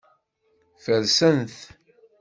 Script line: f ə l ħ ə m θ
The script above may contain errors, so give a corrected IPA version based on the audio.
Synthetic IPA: f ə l s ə n θ